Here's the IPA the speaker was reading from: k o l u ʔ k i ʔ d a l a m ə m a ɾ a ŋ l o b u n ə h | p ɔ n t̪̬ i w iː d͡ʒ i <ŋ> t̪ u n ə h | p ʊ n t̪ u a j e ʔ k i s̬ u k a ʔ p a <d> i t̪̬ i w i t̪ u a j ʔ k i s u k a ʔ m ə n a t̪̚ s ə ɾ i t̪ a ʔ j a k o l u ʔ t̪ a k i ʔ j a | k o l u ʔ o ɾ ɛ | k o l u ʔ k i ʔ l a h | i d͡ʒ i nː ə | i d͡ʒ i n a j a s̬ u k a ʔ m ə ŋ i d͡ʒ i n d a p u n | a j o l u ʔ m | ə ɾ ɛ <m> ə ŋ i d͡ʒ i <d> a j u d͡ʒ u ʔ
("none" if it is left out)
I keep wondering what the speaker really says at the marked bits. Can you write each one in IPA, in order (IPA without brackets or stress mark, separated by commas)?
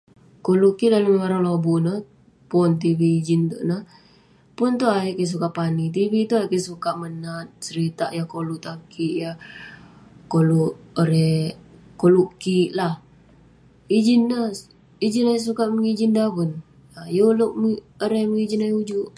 n, n, m, n